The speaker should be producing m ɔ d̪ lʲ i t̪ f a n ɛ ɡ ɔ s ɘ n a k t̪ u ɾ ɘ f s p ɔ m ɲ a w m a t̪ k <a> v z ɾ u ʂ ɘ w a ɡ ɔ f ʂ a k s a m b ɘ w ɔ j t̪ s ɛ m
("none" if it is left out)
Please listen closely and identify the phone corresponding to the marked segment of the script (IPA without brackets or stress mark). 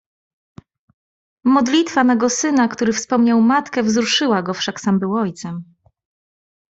ɛ